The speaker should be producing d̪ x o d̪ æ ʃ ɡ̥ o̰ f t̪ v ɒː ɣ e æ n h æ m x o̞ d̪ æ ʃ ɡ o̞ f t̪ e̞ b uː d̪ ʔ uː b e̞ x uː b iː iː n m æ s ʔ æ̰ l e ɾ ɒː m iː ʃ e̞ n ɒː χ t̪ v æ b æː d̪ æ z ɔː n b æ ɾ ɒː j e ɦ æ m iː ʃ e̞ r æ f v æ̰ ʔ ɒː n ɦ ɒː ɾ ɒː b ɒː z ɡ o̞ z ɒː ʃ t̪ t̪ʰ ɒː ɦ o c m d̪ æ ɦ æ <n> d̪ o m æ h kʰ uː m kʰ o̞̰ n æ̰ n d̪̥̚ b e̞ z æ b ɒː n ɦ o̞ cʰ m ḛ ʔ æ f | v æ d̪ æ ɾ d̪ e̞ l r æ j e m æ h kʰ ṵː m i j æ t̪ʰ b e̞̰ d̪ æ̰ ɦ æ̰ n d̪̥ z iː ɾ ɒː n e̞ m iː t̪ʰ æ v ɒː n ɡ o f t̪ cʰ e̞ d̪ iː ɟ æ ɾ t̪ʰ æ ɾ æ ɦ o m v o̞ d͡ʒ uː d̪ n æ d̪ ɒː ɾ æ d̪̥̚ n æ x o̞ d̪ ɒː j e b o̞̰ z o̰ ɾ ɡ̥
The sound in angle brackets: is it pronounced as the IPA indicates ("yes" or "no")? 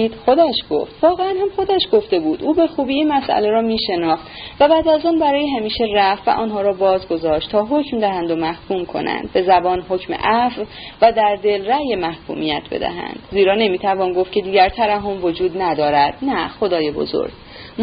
yes